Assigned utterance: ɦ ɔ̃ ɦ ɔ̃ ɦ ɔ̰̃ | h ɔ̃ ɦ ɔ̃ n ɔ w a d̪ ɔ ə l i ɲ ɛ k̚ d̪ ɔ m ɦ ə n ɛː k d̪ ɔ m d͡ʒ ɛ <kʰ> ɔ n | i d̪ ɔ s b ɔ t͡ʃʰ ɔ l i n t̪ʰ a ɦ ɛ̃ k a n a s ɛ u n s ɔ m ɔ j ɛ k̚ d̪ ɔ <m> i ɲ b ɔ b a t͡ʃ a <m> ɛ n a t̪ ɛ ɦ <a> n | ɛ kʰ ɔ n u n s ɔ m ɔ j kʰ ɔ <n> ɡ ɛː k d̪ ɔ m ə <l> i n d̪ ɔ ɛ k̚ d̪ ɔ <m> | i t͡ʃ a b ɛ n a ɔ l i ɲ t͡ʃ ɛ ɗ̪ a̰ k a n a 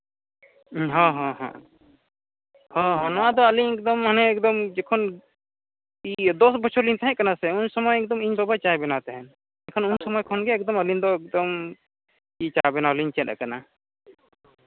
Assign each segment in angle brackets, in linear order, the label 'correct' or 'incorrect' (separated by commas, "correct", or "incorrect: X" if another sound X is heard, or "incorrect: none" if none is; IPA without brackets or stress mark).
correct, correct, incorrect: b, incorrect: ɛ, correct, correct, correct